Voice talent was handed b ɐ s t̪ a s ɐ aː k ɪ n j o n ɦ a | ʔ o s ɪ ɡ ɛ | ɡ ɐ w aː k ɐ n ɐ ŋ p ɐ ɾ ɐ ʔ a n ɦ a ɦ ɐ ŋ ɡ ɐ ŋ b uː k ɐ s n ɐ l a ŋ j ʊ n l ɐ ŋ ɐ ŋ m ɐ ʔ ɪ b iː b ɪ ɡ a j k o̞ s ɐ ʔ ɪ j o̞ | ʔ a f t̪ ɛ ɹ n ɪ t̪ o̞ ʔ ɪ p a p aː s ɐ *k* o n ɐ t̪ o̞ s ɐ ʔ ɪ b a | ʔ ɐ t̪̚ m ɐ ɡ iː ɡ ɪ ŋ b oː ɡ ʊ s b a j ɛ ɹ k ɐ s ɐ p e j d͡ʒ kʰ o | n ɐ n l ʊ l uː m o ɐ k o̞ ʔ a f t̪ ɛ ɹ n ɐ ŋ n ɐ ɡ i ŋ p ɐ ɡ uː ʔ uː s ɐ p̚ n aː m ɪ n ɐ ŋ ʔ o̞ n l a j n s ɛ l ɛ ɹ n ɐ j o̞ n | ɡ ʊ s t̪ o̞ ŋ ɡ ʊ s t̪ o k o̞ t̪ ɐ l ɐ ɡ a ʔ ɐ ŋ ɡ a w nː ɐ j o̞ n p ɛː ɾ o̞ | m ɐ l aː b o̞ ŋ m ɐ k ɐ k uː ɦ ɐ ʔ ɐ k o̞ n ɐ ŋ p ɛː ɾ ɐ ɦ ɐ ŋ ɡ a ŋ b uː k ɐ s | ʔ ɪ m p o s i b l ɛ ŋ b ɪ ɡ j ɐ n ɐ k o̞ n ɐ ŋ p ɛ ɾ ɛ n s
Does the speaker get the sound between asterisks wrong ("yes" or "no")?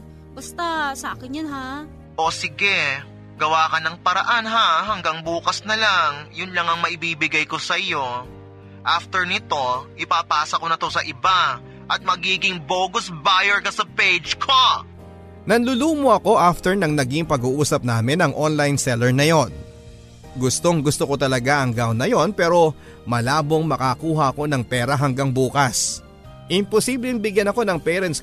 no